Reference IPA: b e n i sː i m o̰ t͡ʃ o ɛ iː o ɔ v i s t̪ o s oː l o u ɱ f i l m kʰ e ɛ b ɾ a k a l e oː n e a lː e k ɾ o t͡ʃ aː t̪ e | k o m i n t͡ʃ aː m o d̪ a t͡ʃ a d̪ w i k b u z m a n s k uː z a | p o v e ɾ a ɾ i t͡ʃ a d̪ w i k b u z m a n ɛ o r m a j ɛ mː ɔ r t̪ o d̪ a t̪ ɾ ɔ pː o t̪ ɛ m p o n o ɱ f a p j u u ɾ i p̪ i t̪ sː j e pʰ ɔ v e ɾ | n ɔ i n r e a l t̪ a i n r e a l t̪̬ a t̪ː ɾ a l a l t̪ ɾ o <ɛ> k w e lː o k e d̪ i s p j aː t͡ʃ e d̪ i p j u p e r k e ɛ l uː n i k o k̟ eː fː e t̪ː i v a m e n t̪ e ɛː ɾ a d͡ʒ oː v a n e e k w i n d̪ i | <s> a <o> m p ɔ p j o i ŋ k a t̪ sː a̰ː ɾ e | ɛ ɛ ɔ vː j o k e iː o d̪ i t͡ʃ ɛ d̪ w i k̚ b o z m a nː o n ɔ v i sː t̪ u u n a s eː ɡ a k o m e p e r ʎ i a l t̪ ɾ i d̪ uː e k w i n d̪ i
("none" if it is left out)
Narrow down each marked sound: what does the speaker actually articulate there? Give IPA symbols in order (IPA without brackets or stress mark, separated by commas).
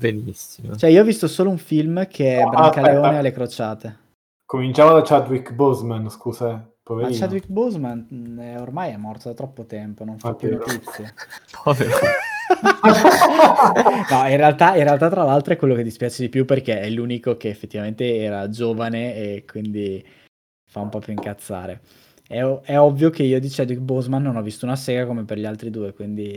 ɛ, f, u